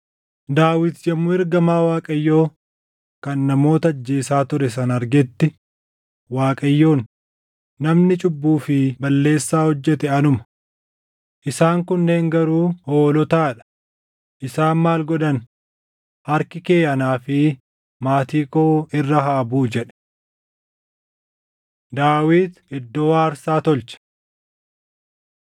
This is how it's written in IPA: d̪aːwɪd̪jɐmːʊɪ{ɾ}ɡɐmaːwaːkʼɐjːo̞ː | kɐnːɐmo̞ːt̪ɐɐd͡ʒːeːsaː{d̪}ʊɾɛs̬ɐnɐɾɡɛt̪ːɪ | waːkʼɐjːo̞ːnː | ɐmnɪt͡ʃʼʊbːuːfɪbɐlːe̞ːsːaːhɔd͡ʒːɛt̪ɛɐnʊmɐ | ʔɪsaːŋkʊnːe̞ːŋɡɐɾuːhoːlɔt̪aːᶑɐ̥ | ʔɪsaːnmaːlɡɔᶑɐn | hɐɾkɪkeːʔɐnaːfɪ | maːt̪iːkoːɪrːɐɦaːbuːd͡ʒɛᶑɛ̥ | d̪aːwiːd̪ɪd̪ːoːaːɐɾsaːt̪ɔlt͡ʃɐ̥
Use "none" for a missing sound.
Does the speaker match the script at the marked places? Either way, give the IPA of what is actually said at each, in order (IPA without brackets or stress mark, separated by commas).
ɾ, t̪